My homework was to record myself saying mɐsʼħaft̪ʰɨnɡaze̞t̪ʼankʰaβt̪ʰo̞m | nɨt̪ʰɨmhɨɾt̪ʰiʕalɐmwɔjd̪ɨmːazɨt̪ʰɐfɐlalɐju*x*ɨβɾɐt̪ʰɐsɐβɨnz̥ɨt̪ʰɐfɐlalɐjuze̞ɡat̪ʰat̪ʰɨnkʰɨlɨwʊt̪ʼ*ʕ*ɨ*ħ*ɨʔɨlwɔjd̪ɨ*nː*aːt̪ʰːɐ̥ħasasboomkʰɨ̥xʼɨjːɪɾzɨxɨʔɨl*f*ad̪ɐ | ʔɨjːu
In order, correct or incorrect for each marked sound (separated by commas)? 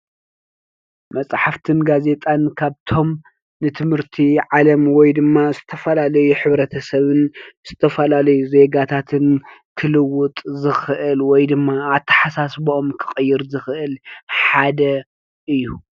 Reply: incorrect, incorrect, incorrect, incorrect, incorrect